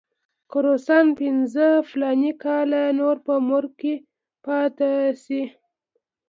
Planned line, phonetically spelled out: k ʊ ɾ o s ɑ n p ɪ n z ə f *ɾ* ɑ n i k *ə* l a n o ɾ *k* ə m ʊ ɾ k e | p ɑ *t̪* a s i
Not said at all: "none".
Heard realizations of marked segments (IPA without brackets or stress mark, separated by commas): l, ɑ, p, t̪